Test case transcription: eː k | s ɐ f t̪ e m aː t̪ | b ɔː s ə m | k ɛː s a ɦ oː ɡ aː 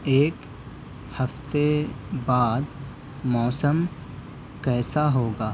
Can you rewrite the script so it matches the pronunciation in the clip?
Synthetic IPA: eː k | h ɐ f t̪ e b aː d̪ | m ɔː s ə m | k ɛː s a ɦ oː ɡ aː